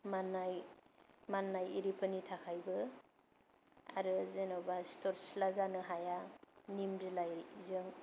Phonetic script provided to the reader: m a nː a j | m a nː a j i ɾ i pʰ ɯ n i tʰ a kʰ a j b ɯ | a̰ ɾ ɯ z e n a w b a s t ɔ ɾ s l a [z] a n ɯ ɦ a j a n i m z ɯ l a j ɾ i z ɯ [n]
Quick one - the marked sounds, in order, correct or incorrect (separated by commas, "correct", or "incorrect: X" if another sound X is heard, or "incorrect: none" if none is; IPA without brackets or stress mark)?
correct, incorrect: ŋ